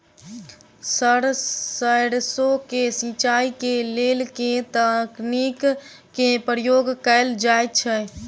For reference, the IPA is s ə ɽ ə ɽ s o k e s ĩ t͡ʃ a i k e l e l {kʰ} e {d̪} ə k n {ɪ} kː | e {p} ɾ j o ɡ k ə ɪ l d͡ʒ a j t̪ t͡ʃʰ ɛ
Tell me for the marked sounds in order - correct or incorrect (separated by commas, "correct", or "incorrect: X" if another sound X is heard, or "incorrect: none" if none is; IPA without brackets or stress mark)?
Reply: incorrect: k, incorrect: t̪, incorrect: i, correct